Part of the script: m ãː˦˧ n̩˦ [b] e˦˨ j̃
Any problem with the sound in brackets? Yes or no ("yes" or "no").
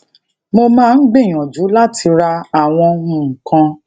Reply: yes